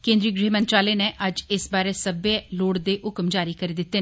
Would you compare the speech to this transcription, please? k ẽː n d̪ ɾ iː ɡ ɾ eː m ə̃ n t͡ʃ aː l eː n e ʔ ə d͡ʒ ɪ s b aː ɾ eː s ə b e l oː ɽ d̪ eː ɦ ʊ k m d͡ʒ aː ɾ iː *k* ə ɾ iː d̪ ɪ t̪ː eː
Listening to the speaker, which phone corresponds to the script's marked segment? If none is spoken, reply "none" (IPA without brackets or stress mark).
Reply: k